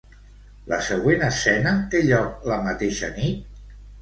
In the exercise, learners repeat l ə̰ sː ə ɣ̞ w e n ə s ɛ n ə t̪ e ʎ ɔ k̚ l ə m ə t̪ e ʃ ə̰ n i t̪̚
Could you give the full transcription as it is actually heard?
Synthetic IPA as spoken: l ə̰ s ə ɣ̞ w e n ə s ɛ n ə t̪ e ʎ ɔ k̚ l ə m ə t̪ e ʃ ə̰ n i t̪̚

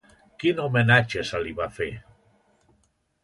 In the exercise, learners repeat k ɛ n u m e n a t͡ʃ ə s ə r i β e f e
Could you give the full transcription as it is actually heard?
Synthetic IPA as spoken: k i n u m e n a t͡ʃ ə s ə l i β a f e

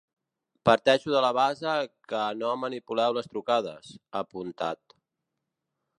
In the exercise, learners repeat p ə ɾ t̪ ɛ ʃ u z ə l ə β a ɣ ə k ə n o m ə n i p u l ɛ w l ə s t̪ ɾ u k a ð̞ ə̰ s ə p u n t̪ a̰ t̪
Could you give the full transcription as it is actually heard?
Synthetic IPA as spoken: p ə ɾ t̪ ɛ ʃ u ð ə l ə β a z ə k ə n o m ə n i p u l ɛ w l ə s t̪ ɾ u k a ð̞ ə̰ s ə p u n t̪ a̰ t̪

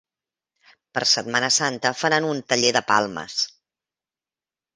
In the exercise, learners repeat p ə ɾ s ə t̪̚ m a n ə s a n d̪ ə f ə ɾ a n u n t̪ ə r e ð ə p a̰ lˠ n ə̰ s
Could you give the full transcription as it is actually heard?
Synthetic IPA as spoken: p ə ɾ s ə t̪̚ m a n ə s a n t̪ ə f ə ɾ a n u n t̪ ə ʎ e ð ə p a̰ lˠ m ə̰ s

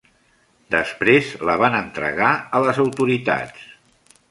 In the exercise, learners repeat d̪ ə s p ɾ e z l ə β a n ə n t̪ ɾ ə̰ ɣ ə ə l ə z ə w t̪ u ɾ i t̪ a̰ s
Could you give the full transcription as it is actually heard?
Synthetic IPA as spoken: d̪ ə s p ɾ e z l ə β a n ə n t̪ ɾ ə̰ ɣ a ə l ə z ə w t̪ u ɾ i t̪ a̰ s

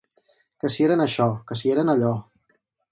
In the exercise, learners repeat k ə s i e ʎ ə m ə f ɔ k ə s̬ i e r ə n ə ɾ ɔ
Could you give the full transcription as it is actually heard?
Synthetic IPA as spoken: k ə s i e ɾ ə n ə ʃ ɔ k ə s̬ i e ɾ ə n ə ʎ ɔ

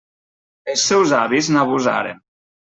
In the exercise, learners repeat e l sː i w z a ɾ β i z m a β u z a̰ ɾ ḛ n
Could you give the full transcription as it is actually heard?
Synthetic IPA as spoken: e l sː ɛ w z a β i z n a β u z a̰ ɾ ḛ n

